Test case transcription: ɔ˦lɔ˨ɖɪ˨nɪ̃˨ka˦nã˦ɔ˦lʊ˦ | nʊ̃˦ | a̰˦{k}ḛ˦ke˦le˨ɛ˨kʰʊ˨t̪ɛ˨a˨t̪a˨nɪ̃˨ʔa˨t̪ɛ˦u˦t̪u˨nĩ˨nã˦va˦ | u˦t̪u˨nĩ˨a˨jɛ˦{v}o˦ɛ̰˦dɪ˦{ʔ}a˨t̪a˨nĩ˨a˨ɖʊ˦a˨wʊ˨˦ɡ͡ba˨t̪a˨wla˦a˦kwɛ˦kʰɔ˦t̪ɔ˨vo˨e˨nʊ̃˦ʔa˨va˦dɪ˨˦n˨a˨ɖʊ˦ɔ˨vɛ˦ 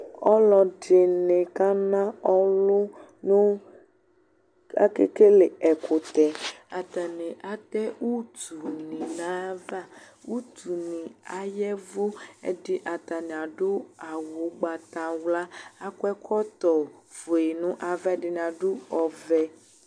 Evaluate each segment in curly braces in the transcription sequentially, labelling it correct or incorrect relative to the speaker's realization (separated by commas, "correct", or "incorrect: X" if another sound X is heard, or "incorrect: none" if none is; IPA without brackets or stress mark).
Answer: correct, correct, correct